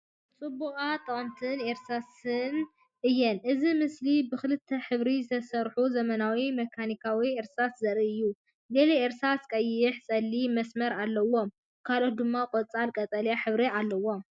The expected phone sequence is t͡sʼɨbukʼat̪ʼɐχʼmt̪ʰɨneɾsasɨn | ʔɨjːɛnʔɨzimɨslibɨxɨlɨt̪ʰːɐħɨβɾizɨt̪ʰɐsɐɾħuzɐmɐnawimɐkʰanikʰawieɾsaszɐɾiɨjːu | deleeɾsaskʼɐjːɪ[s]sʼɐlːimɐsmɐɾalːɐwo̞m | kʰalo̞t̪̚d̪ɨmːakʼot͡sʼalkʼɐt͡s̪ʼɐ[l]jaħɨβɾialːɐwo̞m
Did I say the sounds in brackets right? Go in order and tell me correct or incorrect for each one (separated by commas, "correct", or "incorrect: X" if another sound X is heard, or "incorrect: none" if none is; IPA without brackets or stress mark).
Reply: incorrect: ħ, correct